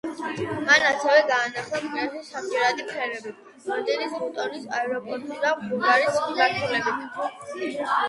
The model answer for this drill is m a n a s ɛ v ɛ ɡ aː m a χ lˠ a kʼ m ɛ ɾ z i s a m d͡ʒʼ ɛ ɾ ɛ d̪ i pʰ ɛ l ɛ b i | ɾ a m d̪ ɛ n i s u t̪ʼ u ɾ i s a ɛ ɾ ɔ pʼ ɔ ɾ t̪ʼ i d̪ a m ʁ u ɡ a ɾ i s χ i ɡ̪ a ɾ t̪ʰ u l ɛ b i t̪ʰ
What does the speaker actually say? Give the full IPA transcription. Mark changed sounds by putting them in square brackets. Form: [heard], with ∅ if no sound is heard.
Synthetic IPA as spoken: m a n a s ɛ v ɛ ɡ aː [n] a χ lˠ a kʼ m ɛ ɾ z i s a m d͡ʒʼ ɛ ɾ [a] d̪ i pʰ ɛ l ɛ b i | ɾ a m d̪ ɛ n i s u t̪ʼ [ɔ] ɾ i s a ɛ ɾ ɔ pʼ ɔ ɾ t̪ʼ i d̪ a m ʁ u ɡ a ɾ i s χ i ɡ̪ a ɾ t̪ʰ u l ɛ b i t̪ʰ